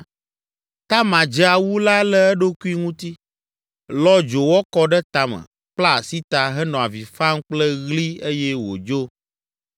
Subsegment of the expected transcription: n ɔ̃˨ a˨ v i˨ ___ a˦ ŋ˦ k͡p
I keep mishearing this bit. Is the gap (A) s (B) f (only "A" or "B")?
B